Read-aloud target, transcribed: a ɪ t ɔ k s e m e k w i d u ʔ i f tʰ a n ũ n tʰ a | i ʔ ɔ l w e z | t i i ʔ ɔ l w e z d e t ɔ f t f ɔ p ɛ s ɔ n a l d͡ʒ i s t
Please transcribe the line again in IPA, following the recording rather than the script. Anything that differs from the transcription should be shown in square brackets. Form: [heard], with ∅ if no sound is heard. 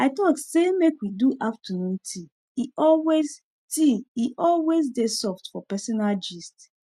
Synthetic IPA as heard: a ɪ t ɔ k s e m e k w i d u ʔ [a] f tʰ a n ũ n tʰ [i] | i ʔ ɔ l w e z | t i i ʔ ɔ l w e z d e [s] ɔ f t f ɔ p ɛ s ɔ n a l d͡ʒ i s t